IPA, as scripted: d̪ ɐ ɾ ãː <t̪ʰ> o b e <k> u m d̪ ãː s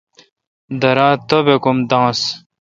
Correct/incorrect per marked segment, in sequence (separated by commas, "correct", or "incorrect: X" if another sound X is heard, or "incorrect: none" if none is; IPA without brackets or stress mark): incorrect: t̪, correct